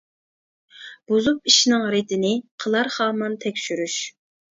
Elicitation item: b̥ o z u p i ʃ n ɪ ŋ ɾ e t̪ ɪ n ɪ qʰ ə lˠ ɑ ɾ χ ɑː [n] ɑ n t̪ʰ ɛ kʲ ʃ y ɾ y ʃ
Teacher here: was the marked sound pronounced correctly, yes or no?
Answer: no